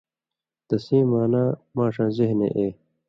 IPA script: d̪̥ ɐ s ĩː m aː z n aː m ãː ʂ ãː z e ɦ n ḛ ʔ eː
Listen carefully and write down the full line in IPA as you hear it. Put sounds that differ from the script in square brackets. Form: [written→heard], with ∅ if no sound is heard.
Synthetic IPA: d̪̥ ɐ s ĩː m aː [z→∅] n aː m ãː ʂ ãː z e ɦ n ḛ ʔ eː